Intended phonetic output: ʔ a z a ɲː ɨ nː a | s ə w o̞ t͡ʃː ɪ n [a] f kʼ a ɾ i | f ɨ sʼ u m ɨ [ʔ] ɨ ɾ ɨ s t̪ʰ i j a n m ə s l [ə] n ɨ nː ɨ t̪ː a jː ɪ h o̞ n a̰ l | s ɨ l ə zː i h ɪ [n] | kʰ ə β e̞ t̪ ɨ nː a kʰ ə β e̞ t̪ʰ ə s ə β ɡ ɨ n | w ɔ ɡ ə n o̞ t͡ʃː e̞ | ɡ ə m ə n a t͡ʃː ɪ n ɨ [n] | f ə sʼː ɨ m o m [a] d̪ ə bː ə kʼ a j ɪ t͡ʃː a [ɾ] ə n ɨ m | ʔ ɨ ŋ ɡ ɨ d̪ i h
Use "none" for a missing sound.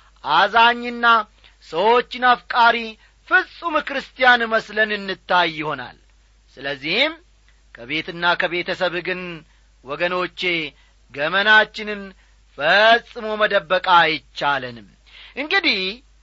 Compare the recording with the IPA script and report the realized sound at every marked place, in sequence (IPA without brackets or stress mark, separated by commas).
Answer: a, k, ə, m, n, ə, l